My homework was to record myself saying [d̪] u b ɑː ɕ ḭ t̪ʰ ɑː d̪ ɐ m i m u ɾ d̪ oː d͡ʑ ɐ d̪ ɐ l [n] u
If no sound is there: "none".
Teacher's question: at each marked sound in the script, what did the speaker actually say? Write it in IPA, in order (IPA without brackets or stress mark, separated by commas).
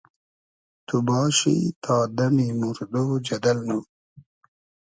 t̪, n